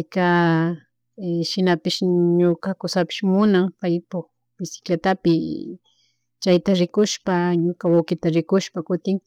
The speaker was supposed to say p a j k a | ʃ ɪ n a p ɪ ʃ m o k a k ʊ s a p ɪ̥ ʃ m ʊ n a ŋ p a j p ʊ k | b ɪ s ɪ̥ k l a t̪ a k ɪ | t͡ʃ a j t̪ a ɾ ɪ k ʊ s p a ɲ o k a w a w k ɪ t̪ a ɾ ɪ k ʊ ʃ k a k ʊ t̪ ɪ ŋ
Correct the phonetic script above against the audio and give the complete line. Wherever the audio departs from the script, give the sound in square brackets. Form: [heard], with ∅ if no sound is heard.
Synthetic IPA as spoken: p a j k a | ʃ ɪ n a p ɪ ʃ [ɲ] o k a k ʊ s a p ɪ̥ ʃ m ʊ n a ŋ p a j p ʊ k | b ɪ s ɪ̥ k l a t̪ a [p] ɪ | t͡ʃ a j t̪ a ɾ ɪ k ʊ [ʃ] p a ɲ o k a w a w k ɪ t̪ a ɾ ɪ k ʊ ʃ [p] a k ʊ t̪ ɪ ŋ